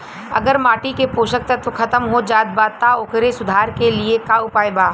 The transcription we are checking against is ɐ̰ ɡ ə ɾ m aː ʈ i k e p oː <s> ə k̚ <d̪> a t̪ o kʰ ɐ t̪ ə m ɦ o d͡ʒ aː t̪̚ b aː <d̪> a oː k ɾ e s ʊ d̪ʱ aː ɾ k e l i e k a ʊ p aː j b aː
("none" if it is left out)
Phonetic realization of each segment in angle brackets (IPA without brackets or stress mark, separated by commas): ʃ, t̪, t̪